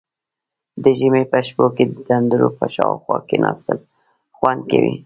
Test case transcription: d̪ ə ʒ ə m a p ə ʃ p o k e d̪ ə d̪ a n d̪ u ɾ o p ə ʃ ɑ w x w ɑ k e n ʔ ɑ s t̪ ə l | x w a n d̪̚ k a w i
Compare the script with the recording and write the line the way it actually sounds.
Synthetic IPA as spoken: d̪ ə ʒ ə m e p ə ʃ p o k e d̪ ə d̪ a n d̪ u ɾ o p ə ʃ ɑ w x w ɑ k e n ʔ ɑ s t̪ ə l | x w a n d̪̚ k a w i